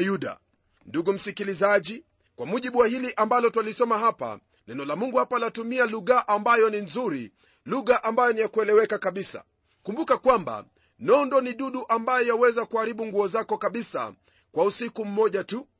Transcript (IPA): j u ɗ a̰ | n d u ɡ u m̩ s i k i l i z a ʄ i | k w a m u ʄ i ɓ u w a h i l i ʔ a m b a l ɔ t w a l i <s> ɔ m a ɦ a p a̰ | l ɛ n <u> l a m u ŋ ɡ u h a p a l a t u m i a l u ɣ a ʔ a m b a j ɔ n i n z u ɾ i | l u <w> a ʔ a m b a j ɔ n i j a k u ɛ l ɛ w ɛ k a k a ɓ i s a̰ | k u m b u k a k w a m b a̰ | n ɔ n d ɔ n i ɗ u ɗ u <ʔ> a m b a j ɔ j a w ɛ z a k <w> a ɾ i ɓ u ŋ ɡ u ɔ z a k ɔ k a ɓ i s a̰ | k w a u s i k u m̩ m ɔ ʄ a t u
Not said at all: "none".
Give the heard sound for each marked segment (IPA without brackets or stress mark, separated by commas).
s, ɔ, ɣ, ʔ, u